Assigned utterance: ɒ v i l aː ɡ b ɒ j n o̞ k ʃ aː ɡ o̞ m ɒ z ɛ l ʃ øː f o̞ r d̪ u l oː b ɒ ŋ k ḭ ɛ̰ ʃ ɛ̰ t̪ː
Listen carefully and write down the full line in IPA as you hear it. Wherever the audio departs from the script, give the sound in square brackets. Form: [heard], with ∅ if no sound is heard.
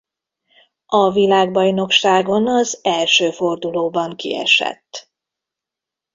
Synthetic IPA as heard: ɒ v i l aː ɡ b ɒ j n o̞ k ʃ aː ɡ o̞ [n] ɒ z ɛ l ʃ øː f o̞ r d̪ u l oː b ɒ ŋ k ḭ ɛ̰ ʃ ɛ̰ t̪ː